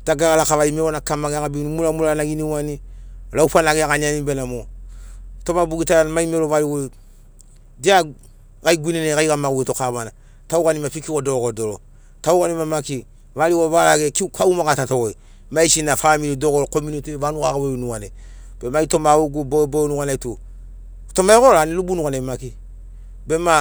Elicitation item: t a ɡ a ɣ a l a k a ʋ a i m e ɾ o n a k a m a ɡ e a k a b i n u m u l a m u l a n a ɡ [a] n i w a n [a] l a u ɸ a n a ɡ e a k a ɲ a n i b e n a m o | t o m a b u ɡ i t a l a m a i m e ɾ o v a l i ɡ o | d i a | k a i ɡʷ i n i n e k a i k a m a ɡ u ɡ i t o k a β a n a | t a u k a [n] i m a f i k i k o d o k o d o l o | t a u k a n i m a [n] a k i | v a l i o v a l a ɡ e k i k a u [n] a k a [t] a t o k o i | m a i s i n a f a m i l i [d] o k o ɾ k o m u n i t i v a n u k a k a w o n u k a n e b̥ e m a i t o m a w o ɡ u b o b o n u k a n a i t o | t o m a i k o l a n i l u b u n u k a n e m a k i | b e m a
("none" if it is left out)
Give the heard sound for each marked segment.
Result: i, i, n, m, m, t, d

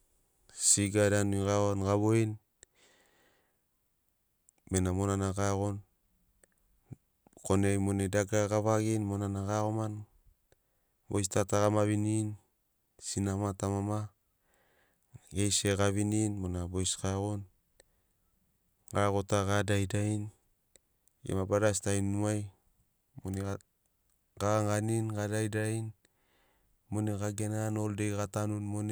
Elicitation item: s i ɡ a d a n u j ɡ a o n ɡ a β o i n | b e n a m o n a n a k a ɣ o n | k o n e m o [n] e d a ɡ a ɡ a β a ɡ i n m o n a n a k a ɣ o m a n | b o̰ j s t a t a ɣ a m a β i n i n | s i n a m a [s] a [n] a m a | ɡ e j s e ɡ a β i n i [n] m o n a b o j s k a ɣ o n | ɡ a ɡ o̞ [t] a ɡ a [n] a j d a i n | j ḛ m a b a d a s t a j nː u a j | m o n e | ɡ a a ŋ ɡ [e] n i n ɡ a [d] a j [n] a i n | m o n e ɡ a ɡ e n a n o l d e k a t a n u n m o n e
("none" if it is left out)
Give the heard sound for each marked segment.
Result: n, t, m, n, t, d, a, d, d

